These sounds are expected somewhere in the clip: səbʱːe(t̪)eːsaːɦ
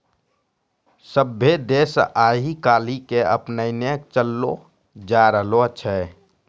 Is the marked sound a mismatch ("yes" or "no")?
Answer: yes